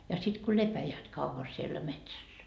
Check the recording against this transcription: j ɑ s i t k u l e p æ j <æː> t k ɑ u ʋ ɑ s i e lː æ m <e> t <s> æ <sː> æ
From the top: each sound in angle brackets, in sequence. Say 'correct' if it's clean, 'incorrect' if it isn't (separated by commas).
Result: correct, correct, correct, correct